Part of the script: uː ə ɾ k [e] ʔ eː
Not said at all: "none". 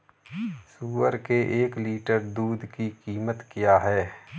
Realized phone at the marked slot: e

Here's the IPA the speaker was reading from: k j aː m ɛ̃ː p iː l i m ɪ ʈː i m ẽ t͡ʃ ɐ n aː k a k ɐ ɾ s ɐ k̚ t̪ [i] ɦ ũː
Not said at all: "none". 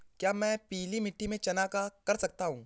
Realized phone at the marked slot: a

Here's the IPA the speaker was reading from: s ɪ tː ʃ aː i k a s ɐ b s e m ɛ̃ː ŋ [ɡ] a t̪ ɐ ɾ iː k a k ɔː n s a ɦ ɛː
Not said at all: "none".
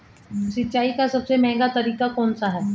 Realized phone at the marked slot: ɡ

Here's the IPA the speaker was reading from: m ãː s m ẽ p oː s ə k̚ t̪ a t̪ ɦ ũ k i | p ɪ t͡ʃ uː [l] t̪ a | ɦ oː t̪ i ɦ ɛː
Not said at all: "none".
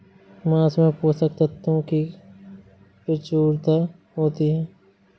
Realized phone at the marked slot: ɾ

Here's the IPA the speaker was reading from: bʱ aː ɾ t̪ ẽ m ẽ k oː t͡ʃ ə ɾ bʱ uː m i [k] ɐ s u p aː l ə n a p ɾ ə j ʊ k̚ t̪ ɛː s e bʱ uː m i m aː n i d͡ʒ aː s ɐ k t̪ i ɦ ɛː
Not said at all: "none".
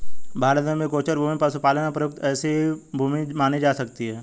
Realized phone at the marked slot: p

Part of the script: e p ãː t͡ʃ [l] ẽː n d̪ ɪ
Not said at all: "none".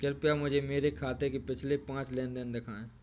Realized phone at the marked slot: l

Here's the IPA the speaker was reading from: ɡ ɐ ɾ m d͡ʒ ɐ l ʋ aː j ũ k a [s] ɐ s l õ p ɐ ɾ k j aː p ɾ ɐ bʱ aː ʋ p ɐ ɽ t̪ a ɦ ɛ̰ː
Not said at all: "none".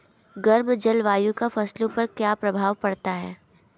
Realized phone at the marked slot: f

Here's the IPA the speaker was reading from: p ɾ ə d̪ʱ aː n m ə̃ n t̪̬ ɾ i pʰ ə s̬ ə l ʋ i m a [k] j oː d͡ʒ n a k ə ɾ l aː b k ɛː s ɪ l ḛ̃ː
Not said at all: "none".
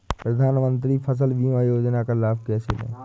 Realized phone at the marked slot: none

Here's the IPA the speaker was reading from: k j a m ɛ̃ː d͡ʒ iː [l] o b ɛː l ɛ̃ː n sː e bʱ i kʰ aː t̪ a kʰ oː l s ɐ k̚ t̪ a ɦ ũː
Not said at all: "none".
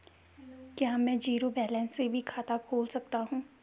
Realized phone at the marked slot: ɾ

